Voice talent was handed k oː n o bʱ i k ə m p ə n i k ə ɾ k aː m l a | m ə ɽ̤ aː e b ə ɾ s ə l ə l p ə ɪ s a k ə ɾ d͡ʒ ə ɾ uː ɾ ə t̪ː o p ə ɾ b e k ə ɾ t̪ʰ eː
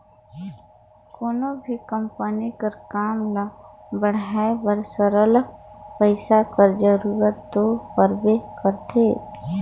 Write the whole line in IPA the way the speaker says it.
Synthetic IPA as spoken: k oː n o bʱ i k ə m p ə n i k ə ɾ k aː m l a | b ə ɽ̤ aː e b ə ɾ s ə ɾ ə l p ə ɪ s a k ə ɾ d͡ʒ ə ɾ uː ɾ ə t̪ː o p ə ɾ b e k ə ɾ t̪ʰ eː